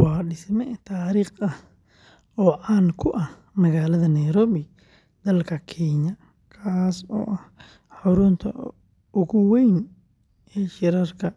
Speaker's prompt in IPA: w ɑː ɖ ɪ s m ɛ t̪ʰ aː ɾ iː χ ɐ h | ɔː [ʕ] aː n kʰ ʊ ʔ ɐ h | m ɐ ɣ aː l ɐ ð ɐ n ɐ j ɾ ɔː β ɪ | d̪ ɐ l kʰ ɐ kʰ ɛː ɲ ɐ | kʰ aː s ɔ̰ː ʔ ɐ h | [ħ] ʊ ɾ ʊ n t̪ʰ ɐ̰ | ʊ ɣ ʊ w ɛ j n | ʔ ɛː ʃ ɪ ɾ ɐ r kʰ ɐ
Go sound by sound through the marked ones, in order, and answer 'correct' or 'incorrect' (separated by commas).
correct, correct